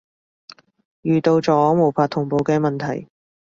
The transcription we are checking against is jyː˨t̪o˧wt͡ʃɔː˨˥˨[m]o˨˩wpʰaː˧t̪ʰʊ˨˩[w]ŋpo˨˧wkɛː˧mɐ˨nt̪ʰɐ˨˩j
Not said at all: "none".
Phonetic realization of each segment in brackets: m, none

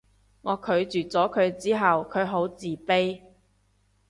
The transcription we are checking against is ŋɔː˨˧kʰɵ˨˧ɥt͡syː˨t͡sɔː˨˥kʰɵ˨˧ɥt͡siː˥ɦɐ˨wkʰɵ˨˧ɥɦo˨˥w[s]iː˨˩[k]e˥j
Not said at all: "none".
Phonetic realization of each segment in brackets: t͡s, p

